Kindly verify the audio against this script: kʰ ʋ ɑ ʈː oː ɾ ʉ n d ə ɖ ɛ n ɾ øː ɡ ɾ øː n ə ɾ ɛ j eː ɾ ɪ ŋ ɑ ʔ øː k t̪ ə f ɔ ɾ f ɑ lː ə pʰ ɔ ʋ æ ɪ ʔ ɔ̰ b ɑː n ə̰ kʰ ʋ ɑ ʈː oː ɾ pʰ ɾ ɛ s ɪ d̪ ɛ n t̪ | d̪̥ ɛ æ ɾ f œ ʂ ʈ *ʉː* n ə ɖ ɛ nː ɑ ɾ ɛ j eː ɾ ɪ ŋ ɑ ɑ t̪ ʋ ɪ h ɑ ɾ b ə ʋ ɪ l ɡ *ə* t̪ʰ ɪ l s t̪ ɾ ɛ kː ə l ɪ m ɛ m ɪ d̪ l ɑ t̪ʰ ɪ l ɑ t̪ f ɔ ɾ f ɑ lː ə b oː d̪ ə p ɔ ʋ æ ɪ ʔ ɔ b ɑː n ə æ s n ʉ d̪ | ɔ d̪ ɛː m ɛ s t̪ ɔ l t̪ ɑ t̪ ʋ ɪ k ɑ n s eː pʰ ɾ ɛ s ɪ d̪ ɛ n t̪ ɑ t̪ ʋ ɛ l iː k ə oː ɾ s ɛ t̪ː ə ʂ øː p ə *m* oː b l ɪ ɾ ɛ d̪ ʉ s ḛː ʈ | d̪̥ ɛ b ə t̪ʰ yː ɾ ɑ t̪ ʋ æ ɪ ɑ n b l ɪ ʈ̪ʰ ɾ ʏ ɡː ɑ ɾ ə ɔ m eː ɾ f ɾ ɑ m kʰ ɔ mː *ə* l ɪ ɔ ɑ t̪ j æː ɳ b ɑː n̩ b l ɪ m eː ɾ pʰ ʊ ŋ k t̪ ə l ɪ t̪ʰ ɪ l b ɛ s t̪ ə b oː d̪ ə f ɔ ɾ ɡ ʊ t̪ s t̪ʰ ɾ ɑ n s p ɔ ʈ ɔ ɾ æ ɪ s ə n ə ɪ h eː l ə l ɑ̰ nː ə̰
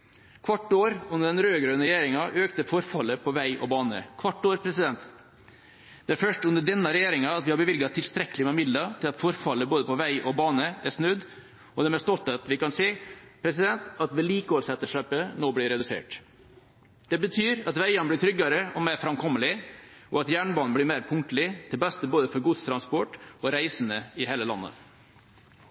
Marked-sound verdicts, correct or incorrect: incorrect, incorrect, incorrect, correct

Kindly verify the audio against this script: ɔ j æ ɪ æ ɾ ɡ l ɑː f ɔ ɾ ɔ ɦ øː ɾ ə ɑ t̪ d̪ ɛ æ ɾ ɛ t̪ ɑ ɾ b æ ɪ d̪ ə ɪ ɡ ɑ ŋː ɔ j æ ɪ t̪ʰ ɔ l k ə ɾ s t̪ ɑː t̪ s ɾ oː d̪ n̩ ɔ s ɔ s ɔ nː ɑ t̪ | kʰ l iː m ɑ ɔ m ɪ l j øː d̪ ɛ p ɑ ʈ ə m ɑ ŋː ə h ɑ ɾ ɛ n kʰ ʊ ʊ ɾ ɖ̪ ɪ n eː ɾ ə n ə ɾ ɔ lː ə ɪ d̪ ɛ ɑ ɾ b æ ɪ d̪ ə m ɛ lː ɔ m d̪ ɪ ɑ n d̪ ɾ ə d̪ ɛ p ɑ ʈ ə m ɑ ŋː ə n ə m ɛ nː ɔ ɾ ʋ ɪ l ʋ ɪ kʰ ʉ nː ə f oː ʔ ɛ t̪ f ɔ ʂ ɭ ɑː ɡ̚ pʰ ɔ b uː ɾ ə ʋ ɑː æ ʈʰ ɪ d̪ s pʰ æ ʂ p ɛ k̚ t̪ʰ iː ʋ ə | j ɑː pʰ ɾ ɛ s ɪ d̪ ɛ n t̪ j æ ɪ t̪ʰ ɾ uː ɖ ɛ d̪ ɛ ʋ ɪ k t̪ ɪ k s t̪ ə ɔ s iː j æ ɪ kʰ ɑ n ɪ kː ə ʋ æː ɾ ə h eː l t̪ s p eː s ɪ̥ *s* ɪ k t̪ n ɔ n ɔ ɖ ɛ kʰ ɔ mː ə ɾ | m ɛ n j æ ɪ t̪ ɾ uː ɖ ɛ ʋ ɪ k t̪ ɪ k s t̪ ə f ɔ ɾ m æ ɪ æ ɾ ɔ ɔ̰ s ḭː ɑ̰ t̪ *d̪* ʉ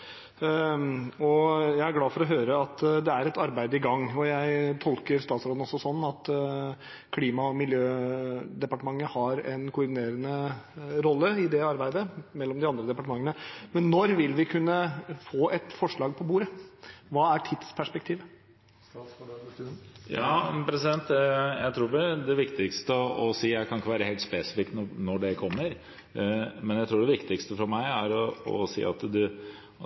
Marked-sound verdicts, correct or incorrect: incorrect, correct

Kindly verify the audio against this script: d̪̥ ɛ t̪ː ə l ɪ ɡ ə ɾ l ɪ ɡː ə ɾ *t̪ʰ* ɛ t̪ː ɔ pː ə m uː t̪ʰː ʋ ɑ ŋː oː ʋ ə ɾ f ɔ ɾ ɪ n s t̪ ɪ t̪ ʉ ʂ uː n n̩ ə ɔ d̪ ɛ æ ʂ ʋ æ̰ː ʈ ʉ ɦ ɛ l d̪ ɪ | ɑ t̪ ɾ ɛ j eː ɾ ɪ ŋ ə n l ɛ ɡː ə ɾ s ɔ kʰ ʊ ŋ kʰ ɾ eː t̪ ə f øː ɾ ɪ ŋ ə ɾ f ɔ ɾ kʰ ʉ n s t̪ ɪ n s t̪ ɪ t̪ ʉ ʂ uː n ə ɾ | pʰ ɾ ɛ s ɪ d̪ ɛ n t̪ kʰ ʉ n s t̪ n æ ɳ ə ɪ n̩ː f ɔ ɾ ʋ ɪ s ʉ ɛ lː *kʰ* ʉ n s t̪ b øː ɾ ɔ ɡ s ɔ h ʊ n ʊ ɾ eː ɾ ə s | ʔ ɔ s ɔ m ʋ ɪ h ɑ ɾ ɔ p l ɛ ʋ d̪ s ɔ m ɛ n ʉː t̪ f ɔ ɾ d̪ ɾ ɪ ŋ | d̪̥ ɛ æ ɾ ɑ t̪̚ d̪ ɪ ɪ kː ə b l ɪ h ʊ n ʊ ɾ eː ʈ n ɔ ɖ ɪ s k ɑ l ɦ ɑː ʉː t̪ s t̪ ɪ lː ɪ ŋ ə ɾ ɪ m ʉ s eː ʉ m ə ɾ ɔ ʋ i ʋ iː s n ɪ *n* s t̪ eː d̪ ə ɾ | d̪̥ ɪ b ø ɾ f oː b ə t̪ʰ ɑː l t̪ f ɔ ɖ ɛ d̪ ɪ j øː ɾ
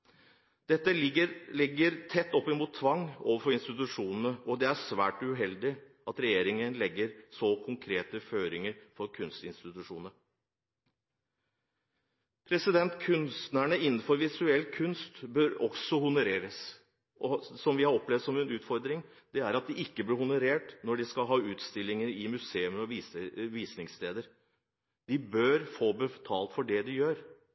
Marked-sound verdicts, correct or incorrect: correct, correct, incorrect

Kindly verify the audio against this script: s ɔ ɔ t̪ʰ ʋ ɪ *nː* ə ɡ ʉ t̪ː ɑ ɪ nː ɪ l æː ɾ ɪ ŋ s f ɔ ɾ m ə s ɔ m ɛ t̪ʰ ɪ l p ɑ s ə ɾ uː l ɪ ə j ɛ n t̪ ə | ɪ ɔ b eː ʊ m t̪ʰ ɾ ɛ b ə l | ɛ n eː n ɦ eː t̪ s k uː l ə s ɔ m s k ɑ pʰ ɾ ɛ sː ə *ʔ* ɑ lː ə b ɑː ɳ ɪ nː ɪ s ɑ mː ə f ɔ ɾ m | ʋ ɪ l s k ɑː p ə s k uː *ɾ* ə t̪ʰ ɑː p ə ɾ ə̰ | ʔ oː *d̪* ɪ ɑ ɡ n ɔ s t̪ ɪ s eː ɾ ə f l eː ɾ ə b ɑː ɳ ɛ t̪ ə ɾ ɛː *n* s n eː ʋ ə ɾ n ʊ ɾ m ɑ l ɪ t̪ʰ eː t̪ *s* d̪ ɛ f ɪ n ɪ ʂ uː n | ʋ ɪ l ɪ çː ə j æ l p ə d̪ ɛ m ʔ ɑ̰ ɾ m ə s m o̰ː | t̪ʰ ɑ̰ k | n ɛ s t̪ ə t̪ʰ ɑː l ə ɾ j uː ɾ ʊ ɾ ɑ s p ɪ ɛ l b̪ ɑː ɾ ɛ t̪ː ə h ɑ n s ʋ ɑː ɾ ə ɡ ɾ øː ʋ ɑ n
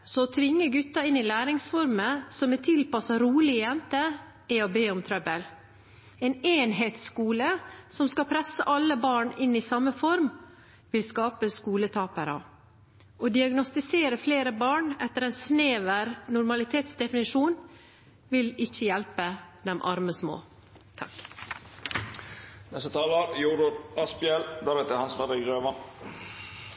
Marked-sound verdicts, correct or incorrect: incorrect, correct, incorrect, correct, correct, correct

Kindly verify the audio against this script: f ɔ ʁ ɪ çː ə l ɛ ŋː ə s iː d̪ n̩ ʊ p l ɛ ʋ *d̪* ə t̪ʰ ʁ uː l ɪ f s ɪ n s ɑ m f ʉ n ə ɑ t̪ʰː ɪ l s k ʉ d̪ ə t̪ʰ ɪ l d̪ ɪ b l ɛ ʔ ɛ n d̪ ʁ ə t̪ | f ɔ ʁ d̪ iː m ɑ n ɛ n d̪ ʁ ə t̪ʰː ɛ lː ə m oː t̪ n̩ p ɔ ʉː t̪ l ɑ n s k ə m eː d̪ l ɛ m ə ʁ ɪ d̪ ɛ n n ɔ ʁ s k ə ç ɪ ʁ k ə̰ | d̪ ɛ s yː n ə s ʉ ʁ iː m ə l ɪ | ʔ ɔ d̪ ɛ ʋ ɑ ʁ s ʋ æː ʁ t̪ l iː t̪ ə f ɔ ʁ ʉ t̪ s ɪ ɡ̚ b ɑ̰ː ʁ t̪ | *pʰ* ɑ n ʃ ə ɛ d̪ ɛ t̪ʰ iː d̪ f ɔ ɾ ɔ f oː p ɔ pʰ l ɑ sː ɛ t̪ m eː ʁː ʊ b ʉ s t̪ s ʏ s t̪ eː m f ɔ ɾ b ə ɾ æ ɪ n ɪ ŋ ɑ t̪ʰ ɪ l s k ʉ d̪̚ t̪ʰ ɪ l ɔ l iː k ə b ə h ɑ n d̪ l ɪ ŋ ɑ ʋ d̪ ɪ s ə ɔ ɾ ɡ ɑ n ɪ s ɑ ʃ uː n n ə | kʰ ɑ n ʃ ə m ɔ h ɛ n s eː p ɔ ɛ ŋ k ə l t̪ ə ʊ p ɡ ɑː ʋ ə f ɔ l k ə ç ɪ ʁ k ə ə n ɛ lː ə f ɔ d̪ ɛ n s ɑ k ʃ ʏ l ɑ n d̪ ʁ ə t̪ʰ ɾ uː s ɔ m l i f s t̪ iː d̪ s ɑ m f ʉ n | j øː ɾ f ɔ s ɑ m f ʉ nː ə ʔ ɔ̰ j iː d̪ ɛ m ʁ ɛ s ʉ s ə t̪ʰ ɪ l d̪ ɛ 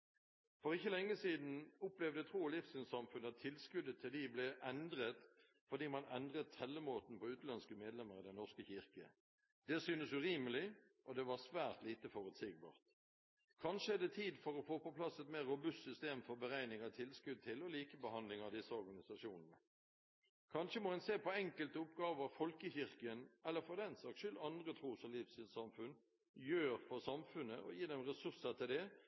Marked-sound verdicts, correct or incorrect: correct, incorrect

